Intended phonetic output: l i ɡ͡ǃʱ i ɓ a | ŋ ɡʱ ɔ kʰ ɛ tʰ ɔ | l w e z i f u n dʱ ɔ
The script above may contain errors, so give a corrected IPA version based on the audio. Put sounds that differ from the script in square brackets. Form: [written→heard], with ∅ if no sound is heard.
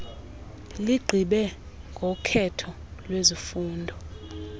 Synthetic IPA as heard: l i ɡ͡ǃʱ i ɓ [a→ɛ] | ŋ ɡʱ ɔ kʰ ɛ tʰ ɔ | l w e z i f [u→uː] n dʱ ɔ